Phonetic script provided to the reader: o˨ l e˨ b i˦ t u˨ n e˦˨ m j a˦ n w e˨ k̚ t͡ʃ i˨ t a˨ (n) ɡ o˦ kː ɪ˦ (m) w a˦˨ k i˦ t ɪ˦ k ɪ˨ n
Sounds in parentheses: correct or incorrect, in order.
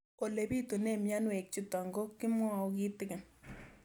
incorrect: ŋ, correct

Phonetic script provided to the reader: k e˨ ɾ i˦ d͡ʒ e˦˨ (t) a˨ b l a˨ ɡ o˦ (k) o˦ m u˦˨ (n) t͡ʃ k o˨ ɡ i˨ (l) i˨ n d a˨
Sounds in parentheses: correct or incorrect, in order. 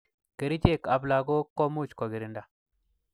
incorrect: k, correct, incorrect: none, incorrect: ɾ

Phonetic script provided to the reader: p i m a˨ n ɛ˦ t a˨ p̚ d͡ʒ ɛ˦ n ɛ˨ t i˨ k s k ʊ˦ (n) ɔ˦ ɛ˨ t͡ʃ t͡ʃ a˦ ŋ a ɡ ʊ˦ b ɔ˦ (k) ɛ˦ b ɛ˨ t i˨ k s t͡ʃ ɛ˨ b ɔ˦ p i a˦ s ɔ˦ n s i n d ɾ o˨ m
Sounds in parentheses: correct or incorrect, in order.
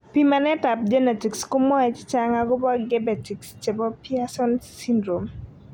incorrect: m, incorrect: ɡ

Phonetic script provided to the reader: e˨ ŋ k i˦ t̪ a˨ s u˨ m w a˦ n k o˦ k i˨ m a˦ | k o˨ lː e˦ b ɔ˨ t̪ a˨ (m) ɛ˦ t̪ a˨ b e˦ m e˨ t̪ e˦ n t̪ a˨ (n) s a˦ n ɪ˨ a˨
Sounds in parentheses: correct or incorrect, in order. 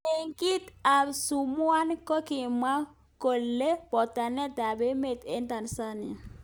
incorrect: n, correct

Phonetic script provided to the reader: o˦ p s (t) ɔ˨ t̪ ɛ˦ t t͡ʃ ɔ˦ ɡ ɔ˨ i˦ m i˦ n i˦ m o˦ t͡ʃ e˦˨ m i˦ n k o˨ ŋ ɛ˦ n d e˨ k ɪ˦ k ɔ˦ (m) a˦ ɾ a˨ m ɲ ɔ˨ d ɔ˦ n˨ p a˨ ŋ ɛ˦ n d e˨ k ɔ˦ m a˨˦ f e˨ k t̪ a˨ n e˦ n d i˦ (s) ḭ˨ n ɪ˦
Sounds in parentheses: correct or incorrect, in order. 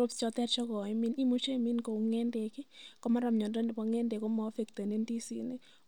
incorrect: t͡ʃ, correct, correct

